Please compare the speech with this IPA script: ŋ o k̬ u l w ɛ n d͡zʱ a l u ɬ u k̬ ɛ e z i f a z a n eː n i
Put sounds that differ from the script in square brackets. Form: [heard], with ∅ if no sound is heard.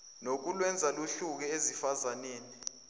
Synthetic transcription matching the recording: [n] o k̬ u l w ɛ n d͡zʱ a l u ɬ u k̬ ɛ e z i f a z a n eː n i